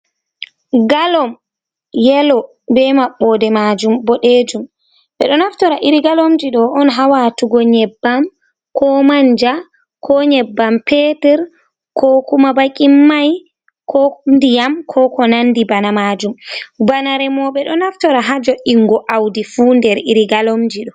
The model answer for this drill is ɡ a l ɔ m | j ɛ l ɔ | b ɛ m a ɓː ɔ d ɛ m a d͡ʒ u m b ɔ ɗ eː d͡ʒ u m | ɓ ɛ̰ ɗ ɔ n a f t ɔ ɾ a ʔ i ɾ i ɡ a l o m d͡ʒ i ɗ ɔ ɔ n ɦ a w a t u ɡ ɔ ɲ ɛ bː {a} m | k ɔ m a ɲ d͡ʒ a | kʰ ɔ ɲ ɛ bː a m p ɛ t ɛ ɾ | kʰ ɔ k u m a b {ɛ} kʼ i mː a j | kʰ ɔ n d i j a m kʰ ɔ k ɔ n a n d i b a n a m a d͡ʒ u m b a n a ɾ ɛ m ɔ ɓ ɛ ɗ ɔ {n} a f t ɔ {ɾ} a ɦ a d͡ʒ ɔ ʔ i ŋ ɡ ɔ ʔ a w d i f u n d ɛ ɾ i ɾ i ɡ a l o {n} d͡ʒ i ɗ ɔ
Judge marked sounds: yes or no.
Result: yes, no, yes, yes, no

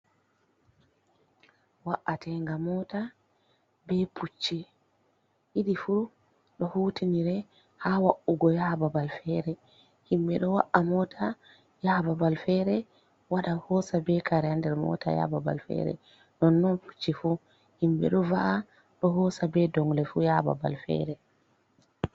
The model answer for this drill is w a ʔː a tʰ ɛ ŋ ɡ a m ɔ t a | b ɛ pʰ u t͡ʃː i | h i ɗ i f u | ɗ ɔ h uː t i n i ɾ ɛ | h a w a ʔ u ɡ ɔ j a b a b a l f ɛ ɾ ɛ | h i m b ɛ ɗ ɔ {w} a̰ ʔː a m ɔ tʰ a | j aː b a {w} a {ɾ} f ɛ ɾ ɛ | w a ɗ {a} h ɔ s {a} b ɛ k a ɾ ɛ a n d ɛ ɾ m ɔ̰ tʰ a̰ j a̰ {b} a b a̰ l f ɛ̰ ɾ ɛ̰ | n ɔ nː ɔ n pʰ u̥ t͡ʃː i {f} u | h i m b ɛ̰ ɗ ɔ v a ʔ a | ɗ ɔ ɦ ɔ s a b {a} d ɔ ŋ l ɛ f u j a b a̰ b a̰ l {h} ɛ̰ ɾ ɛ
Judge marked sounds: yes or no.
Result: yes, no, no, yes, yes, yes, yes, no, no

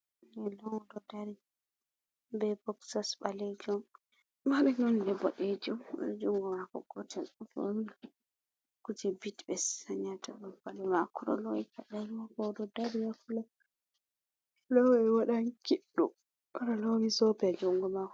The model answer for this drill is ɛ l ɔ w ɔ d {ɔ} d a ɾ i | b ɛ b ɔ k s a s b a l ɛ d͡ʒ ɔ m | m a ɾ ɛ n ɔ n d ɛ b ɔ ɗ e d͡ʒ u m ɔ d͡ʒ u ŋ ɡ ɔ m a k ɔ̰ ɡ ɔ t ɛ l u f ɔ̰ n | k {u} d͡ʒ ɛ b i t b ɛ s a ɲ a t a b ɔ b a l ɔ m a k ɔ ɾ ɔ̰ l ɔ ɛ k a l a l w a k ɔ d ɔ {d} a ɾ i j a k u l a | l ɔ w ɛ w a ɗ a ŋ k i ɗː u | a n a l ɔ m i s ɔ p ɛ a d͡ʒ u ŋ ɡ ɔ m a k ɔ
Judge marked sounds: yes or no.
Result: yes, yes, yes

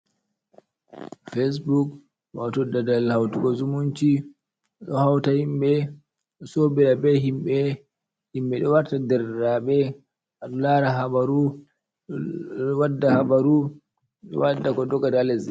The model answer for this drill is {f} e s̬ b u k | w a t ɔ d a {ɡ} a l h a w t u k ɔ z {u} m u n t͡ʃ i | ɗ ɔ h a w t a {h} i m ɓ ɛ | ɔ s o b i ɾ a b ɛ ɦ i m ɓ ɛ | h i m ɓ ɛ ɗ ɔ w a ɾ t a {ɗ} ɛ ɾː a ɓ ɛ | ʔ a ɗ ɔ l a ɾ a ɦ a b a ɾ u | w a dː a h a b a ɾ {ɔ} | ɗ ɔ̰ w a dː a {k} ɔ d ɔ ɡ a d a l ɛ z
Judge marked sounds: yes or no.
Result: yes, no, yes, yes, no, no, yes

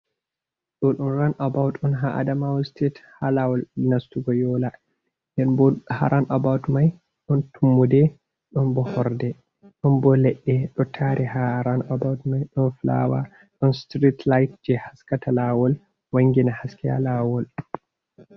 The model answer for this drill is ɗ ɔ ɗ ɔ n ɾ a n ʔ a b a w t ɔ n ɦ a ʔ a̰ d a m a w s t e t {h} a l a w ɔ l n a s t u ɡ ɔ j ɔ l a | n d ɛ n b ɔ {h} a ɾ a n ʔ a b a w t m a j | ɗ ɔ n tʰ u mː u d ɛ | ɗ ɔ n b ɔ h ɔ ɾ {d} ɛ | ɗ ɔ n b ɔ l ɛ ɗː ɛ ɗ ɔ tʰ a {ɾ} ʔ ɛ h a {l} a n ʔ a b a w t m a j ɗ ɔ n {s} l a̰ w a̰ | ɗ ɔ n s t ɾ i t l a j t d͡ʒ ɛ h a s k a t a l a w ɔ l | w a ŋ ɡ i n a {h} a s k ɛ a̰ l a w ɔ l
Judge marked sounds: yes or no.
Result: yes, yes, yes, yes, no, no, yes

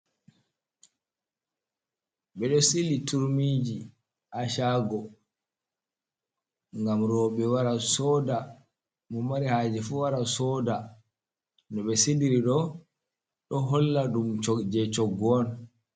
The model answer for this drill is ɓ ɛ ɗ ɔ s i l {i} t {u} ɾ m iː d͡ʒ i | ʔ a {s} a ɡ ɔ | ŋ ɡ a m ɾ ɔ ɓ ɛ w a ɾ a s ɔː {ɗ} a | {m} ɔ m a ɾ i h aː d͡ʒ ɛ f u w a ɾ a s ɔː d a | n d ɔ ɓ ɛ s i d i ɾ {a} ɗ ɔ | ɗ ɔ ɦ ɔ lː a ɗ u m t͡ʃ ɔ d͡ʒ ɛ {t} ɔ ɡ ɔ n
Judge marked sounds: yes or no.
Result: yes, yes, no, no, yes, no, no

